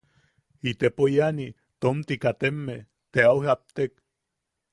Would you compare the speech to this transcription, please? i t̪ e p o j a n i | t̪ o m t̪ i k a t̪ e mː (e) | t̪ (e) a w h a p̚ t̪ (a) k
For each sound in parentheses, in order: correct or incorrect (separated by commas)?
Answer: correct, correct, incorrect